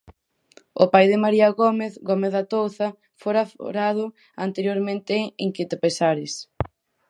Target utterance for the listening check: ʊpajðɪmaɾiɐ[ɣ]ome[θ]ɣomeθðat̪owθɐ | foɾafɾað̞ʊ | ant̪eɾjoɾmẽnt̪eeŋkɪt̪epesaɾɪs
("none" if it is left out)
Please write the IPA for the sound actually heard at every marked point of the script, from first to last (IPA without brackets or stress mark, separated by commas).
ɣ, θ